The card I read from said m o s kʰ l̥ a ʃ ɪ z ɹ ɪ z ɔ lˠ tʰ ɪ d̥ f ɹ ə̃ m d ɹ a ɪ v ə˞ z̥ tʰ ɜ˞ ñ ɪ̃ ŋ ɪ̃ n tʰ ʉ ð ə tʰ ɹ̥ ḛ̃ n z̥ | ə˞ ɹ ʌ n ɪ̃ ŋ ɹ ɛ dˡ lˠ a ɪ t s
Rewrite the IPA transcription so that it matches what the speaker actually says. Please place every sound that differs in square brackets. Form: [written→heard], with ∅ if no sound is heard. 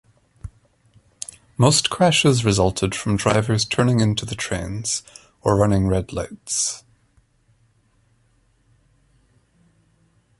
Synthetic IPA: m o s kʰ [l̥→ɹ̥] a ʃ ɪ z ɹ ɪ z [ɔ→ʌ] lˠ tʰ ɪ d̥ f ɹ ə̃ m d ɹ a ɪ v ə˞ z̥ tʰ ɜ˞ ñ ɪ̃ ŋ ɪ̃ n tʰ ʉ ð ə tʰ ɹ̥ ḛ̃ n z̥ | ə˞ ɹ ʌ n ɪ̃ ŋ ɹ ɛ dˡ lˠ a ɪ t s